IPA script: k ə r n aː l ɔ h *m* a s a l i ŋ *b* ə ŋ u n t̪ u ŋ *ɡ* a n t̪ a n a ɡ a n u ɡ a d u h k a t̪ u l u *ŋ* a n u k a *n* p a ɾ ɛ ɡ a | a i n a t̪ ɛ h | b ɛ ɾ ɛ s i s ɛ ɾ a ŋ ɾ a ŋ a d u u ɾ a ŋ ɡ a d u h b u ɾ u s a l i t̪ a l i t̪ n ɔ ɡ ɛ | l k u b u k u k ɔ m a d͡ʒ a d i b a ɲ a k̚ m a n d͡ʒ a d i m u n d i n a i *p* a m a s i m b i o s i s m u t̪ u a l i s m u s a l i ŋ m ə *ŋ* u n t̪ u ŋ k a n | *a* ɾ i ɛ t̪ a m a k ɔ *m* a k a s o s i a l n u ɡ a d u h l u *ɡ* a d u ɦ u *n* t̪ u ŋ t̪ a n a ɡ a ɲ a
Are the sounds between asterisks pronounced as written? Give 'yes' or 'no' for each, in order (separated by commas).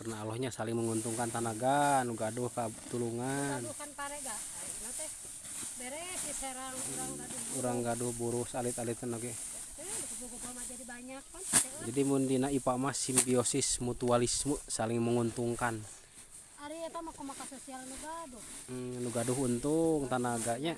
no, no, no, yes, yes, yes, yes, yes, yes, yes, yes